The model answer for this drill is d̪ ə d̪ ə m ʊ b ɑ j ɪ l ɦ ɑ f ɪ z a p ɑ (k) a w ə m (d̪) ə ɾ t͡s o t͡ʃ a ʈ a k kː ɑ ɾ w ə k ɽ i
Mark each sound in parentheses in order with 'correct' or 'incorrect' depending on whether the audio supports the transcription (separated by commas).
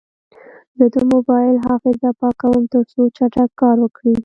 correct, incorrect